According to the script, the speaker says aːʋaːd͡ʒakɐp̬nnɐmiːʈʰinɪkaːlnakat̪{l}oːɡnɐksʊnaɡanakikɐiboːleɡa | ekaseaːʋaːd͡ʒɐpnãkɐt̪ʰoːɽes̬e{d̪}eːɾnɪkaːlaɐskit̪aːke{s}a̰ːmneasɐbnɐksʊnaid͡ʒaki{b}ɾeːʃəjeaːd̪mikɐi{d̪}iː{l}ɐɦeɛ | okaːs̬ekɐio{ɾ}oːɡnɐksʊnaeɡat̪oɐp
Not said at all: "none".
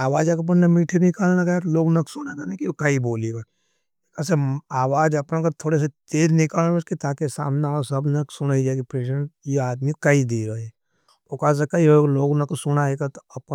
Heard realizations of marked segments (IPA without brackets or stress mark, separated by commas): l, t̪, s, p, d̪, ɾ, l